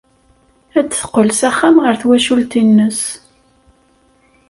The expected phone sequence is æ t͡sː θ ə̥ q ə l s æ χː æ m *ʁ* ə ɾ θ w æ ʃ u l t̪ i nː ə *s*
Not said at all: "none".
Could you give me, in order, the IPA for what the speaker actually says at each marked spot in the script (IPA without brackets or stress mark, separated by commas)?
ʁ, s